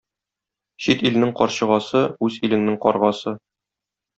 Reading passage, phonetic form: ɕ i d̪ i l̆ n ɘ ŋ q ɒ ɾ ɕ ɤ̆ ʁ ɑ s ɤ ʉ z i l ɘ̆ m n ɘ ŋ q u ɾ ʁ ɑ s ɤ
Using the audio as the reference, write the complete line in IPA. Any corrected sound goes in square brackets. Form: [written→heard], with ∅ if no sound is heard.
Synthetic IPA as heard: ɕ i [d̪→t̪] i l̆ n ɘ ŋ q ɒ ɾ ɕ ɤ̆ ʁ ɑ s ɤ ʉ z i l ɘ̆ [m→ŋ] n ɘ ŋ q [u→ɒ] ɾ ʁ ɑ s ɤ